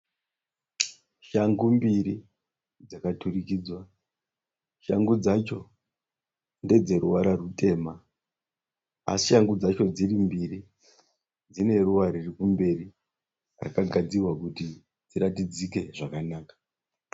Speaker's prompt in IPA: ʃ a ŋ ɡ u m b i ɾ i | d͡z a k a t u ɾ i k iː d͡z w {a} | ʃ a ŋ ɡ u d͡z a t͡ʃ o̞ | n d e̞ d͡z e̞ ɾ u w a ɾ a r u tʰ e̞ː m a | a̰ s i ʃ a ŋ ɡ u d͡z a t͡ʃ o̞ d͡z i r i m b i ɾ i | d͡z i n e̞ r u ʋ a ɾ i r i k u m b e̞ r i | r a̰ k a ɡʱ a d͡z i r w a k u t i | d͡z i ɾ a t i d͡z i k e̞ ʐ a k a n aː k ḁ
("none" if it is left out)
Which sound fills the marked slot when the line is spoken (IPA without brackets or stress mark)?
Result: a